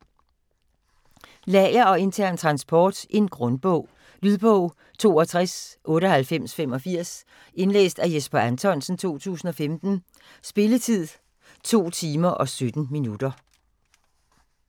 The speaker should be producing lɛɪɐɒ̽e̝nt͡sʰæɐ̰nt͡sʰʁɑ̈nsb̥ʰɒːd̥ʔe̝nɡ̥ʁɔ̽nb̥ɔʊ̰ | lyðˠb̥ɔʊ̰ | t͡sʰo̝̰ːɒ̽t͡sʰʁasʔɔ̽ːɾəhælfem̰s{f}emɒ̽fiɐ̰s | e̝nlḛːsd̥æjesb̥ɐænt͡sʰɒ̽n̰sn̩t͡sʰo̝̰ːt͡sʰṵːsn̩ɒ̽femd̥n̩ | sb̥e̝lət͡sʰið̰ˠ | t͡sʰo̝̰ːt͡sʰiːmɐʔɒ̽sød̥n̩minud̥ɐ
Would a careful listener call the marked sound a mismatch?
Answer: no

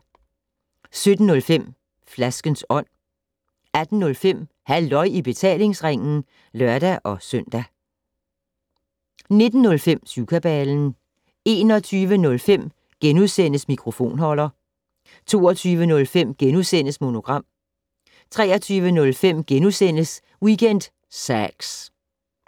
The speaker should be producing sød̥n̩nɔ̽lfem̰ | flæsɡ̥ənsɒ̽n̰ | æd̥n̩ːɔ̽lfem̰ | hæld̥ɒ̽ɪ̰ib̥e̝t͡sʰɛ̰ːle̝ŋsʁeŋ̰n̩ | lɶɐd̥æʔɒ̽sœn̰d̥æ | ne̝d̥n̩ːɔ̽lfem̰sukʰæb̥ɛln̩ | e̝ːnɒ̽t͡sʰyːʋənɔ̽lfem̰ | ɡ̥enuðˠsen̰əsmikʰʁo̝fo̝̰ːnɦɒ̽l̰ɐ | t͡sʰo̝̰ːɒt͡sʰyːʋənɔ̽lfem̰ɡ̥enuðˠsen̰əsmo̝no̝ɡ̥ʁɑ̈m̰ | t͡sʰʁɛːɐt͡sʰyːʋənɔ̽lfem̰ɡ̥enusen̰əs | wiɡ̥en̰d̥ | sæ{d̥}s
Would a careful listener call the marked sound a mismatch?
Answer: yes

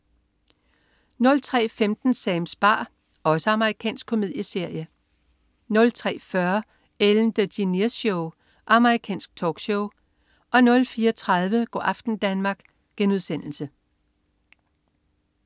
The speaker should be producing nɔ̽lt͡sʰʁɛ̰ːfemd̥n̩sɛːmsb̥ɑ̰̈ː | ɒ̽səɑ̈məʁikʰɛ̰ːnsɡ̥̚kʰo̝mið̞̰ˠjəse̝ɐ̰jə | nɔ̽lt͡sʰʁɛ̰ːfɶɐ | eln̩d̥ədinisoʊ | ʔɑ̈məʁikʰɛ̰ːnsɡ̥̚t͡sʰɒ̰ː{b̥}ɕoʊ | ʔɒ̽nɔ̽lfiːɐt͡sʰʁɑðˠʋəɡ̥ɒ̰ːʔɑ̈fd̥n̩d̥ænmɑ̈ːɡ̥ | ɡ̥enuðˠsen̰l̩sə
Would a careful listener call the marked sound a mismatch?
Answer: yes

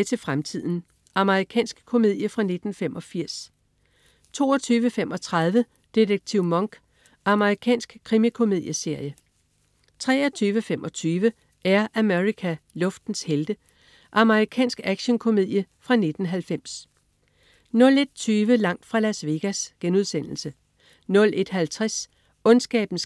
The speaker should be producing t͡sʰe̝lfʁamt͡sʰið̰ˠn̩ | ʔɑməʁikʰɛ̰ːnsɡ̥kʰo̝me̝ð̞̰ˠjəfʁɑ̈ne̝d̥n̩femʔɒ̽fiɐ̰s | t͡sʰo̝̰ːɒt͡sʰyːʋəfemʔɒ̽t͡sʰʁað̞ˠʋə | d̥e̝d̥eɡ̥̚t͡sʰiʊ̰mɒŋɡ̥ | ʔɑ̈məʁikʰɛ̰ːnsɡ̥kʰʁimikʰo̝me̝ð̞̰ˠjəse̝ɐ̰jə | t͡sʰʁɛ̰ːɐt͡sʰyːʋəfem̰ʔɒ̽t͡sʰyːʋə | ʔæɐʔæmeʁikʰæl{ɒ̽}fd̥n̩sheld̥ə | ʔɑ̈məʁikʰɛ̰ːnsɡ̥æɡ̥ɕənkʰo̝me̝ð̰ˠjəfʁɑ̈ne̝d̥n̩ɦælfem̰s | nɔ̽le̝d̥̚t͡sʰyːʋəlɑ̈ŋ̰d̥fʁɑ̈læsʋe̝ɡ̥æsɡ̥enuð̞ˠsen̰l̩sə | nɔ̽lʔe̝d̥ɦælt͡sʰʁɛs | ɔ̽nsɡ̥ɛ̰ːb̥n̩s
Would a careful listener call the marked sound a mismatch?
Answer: yes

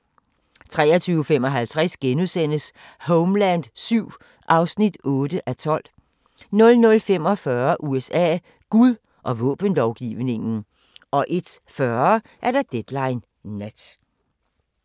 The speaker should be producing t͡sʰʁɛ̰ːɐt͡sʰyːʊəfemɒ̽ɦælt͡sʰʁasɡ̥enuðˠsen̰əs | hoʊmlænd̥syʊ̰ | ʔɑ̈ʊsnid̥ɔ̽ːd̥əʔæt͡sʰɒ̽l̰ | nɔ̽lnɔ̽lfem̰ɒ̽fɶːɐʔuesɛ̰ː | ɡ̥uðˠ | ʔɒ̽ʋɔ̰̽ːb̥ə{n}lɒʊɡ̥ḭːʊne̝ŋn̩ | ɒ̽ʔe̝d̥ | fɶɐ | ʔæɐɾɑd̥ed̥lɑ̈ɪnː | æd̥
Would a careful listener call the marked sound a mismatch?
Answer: no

